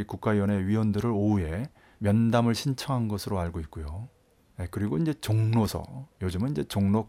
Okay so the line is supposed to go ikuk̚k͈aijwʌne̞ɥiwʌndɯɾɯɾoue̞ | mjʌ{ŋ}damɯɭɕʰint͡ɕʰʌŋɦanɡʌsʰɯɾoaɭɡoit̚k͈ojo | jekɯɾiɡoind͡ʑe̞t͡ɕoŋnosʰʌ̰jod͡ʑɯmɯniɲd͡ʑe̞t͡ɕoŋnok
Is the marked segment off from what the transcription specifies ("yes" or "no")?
yes